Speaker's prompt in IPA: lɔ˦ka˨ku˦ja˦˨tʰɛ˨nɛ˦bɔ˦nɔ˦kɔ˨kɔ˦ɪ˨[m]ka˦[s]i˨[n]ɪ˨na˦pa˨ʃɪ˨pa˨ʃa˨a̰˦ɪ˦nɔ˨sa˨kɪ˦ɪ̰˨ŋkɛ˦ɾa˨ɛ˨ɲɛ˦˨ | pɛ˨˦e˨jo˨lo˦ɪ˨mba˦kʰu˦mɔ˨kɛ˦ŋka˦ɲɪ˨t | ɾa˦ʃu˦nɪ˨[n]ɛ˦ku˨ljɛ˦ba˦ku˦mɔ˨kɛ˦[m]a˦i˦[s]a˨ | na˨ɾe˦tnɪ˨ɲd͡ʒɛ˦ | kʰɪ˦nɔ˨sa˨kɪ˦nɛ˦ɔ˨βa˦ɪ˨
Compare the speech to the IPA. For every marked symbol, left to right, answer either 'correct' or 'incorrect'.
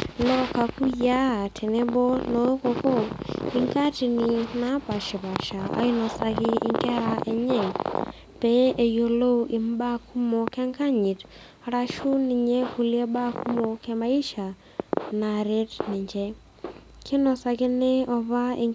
incorrect, incorrect, correct, incorrect, correct, incorrect

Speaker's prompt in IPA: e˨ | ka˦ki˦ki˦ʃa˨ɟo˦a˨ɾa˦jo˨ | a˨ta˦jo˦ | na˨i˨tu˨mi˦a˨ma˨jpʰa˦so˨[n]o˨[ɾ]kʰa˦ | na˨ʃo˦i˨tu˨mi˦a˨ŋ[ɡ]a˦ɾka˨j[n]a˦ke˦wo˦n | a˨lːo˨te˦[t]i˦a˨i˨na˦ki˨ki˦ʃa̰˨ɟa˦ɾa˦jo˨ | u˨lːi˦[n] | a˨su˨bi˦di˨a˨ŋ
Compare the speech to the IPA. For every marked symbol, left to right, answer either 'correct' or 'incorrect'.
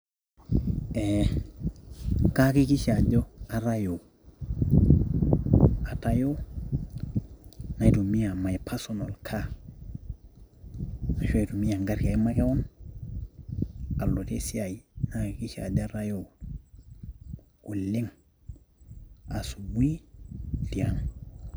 correct, incorrect, correct, incorrect, incorrect, incorrect

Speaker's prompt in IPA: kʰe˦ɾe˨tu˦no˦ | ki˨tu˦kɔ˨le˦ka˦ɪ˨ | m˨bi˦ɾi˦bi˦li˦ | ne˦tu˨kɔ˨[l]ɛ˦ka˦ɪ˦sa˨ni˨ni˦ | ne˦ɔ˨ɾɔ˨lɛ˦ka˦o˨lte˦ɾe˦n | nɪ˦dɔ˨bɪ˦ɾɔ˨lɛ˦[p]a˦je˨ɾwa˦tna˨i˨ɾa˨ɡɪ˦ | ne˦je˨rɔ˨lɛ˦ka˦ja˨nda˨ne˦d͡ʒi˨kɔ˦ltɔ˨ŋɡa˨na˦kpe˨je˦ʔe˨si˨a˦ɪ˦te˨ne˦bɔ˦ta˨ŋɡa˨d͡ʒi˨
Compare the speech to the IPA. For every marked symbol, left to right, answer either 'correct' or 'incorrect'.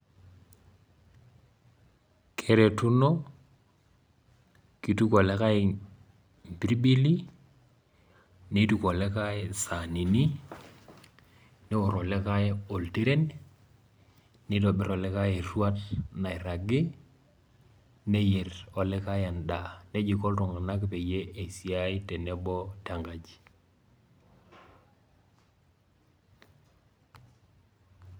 correct, incorrect

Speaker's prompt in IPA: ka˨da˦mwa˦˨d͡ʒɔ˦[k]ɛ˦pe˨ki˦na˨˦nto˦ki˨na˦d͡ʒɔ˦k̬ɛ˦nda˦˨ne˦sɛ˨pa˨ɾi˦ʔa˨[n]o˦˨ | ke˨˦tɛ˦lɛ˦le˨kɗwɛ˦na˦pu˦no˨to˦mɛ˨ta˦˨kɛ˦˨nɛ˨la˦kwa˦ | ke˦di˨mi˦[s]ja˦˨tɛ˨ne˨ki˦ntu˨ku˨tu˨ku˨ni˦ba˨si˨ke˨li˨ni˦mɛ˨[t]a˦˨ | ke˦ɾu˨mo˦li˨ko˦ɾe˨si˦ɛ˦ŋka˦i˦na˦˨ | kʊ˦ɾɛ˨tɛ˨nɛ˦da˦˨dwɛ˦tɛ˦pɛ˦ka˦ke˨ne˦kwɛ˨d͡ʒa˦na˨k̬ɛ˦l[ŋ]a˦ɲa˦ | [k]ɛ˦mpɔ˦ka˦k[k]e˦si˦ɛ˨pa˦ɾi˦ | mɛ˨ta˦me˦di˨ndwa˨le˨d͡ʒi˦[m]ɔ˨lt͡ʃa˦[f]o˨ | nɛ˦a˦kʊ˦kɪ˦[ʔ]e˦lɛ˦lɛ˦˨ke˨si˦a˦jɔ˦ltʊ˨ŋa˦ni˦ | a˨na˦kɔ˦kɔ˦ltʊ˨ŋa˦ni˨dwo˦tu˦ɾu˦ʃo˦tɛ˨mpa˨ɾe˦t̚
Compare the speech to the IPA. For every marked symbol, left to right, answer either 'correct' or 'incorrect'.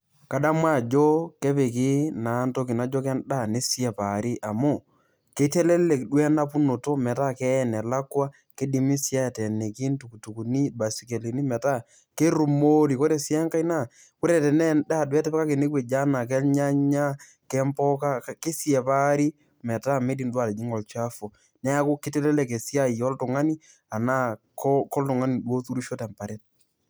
correct, incorrect, correct, correct, incorrect, correct, correct, incorrect, correct, incorrect

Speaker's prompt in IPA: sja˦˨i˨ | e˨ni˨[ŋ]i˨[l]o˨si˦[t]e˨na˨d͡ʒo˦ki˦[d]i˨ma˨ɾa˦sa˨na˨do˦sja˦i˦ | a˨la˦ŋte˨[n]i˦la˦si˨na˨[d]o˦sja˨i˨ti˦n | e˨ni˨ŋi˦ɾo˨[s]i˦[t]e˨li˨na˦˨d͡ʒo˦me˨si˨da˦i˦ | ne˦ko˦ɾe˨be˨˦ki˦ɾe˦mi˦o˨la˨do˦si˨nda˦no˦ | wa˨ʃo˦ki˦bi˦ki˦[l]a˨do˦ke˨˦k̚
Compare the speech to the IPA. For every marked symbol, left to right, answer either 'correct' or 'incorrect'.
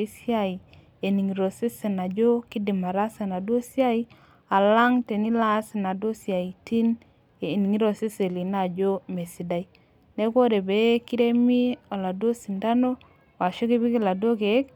correct, incorrect, incorrect, correct, correct, correct, correct, incorrect, correct

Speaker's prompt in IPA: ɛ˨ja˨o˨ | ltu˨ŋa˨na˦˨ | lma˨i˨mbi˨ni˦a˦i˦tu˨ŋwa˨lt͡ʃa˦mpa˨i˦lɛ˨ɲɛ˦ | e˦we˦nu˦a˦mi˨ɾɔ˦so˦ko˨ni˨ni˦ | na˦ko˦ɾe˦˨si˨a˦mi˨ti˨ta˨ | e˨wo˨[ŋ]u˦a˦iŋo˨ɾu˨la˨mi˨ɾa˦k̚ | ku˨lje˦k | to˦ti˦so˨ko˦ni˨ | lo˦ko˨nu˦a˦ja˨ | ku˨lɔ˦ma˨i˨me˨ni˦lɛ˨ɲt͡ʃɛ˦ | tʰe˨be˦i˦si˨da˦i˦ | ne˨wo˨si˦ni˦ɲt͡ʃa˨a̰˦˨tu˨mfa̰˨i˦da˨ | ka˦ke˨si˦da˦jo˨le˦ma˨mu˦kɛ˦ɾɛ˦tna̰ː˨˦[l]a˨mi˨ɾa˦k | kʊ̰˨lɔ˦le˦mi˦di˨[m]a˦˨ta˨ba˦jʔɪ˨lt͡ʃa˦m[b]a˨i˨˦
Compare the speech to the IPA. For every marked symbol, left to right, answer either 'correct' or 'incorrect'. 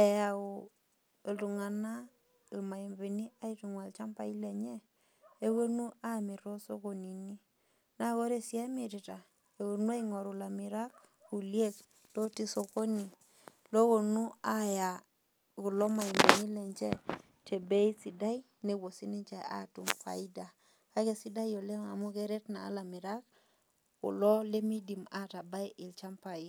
incorrect, correct, correct, incorrect

